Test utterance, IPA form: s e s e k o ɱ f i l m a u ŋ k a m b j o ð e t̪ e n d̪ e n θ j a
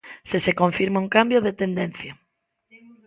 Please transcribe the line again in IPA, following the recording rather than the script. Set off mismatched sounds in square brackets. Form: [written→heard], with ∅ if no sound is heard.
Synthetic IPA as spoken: s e s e k o ɱ f i [l→ɾ] m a u ŋ k a m b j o ð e t̪ e n d̪ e n θ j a